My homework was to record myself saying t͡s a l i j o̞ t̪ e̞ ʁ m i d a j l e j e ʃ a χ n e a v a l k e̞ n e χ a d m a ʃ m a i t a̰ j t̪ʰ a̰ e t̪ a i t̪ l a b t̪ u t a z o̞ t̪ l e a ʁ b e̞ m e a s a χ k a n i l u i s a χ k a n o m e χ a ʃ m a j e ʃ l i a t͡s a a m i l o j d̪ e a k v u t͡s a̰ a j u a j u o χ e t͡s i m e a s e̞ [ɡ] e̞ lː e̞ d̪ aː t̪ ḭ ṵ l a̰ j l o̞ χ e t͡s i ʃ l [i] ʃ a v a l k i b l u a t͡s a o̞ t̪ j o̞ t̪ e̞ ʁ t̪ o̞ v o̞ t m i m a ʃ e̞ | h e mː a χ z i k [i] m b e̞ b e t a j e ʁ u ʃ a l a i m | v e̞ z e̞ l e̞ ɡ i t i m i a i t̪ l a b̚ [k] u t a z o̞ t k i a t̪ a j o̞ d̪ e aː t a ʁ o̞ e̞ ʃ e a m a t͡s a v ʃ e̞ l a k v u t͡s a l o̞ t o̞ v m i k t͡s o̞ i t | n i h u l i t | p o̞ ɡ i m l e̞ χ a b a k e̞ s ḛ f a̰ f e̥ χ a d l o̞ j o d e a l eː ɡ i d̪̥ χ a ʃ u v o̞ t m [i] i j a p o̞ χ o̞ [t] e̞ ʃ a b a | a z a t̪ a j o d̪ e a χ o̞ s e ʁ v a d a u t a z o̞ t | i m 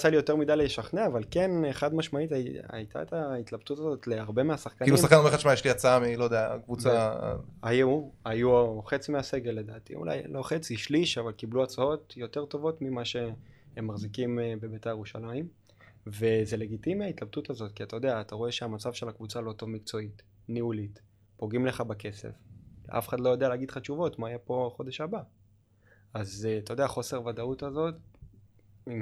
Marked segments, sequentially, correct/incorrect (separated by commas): correct, correct, correct, incorrect, incorrect, incorrect